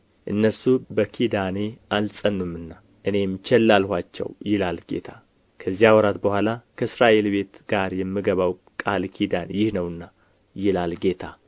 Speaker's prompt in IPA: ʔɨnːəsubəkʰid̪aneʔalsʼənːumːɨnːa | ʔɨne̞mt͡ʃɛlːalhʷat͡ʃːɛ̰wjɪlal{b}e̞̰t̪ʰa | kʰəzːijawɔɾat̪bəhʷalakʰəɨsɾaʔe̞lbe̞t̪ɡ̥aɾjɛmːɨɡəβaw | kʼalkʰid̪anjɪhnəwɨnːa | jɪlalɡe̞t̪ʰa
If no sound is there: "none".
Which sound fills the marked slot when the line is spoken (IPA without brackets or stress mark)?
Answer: ɡ